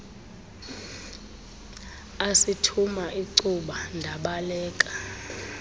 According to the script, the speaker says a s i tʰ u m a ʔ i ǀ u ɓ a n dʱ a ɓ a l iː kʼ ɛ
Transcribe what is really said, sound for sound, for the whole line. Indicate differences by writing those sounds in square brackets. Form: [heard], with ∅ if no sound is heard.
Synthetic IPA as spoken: a s i tʰ u m a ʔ i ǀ u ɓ a n dʱ a ɓ a l [ɛː] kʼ [a]